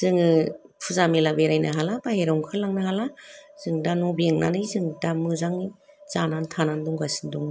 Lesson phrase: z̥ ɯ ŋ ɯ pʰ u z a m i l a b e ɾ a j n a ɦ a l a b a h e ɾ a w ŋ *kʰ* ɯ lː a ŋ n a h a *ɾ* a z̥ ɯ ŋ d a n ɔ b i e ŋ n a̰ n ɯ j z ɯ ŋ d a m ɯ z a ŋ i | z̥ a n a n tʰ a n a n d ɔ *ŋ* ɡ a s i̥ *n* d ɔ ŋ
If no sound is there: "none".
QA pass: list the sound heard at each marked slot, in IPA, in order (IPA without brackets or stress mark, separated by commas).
kʰ, l, ŋ, n